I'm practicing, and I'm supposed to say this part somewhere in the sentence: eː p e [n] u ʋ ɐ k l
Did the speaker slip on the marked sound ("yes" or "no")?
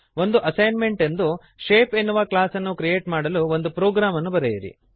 yes